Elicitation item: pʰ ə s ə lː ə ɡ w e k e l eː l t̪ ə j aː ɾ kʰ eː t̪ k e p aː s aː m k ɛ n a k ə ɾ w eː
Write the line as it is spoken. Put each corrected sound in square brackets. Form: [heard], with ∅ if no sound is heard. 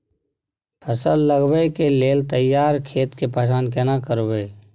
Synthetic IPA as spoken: pʰ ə s ə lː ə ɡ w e k e l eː l t̪ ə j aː ɾ kʰ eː t̪ k e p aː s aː [n] k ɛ n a k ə ɾ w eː

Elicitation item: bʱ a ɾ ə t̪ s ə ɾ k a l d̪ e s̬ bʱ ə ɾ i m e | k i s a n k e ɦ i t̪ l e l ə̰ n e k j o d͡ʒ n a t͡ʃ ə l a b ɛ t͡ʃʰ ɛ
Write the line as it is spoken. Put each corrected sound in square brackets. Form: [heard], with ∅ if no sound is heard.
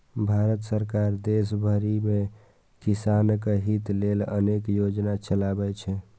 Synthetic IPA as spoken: bʱ a ɾ ə t̪ s ə ɾ k a [ɾ] d̪ e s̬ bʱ ə ɾ i m e | k i s a n k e ɦ i t̪ l e l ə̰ n e k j o d͡ʒ n a t͡ʃ ə l a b ɛ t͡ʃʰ ɛ

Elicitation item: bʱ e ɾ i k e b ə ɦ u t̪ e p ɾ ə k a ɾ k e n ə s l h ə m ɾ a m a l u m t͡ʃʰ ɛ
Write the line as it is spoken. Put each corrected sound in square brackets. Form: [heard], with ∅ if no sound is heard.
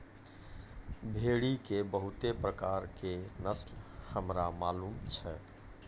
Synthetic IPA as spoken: bʱ e [ɽ] i k e b ə ɦ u t̪ e p ɾ ə k a ɾ k e n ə s l h ə m ɾ a m a l u m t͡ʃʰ ɛ

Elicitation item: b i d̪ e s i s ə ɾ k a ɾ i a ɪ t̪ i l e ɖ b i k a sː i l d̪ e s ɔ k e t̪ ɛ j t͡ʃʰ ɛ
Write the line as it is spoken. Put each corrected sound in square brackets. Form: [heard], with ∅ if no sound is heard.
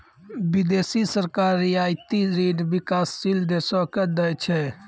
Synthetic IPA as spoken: b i d̪ e s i s ə ɾ k a ɾ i a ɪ t̪ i [ɾ] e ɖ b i k a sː i l d̪ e s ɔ k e [d̪] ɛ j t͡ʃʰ ɛ

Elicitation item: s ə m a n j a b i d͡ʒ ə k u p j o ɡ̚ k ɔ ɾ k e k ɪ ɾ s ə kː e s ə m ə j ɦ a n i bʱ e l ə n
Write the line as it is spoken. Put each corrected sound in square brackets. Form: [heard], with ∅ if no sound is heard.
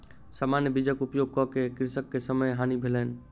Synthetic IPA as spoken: s [a] m a n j [ə] b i d͡ʒ ə k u p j o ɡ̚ k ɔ [∅] k e k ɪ ɾ s ə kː e s ə m ə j ɦ a n i bʱ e l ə n

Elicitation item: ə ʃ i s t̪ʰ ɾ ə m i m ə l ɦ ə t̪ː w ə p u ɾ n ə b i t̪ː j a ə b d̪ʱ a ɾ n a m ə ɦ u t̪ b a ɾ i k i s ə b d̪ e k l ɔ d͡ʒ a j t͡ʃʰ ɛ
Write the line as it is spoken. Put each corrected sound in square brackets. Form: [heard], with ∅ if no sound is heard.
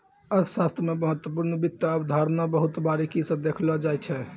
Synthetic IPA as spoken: ə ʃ [a] s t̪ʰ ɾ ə m [e] m ə [∅] ɦ ə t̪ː w ə p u ɾ n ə b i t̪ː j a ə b d̪ʱ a ɾ n a [b] ə ɦ u t̪ b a ɾ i k i s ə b d̪ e [kʰ] l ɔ d͡ʒ a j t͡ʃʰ ɛ

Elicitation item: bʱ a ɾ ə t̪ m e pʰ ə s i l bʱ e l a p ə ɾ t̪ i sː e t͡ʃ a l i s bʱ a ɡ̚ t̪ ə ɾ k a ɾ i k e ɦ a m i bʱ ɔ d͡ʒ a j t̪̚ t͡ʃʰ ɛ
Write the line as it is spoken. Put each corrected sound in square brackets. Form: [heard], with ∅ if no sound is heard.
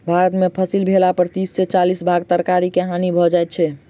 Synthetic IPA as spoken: bʱ a ɾ ə t̪ m e pʰ ə s i l bʱ e l a p ə ɾ t̪ i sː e t͡ʃ a l i s bʱ a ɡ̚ t̪ ə ɾ k a ɾ i k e ɦ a [n] i bʱ ɔ d͡ʒ a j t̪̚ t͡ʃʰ ɛ

